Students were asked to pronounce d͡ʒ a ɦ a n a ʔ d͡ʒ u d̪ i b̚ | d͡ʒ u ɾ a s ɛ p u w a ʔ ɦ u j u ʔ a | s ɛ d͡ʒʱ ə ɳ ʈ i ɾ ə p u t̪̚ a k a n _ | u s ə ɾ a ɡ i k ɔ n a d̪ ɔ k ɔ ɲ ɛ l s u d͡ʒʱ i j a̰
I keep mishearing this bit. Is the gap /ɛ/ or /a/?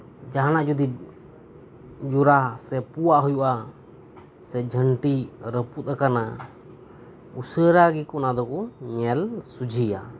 a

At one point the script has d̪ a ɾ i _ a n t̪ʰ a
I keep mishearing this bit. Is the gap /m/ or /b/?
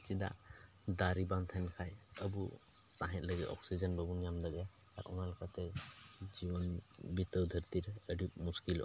b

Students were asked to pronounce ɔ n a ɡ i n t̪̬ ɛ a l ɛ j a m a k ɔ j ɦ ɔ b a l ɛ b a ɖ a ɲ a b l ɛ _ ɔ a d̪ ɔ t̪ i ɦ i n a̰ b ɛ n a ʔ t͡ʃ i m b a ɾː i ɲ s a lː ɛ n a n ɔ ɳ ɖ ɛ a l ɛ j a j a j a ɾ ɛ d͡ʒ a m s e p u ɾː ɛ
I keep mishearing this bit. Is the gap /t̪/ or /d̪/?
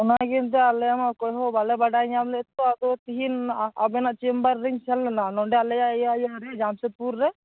t̪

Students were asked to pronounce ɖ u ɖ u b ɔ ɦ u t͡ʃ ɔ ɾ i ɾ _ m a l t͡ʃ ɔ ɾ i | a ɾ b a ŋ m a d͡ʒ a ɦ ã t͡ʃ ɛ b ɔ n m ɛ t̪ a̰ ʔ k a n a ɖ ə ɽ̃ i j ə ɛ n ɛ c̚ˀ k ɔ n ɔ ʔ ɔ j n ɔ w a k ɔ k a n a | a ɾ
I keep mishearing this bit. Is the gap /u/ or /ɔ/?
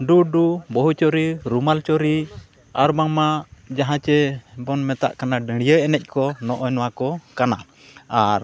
u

